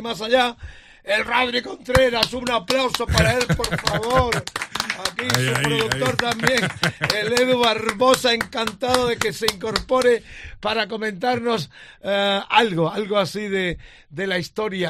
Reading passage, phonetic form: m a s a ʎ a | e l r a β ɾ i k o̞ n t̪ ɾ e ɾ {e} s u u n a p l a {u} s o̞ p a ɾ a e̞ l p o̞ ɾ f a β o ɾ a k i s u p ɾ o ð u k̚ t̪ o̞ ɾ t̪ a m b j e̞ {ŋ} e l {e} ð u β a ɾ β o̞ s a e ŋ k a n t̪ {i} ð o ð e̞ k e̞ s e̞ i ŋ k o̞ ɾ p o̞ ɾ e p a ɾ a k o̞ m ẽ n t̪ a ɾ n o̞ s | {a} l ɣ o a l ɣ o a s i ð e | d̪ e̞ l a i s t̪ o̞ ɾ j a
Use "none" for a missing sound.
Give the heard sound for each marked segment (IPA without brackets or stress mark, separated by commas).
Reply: a, w, ŋ, e, a, a